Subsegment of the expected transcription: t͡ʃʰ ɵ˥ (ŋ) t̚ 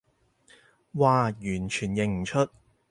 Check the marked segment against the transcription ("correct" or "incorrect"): incorrect